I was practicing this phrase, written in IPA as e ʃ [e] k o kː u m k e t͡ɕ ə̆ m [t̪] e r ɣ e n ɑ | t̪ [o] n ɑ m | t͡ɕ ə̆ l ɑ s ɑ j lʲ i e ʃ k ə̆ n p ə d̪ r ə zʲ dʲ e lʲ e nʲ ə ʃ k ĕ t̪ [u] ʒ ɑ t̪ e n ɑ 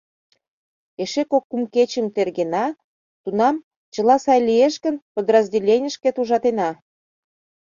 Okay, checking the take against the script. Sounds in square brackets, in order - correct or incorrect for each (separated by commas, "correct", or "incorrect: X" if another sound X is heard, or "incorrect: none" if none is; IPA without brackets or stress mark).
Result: correct, correct, incorrect: u, correct